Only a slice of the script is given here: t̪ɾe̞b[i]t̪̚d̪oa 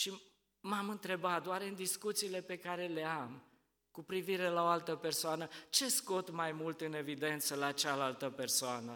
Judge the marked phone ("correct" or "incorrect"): incorrect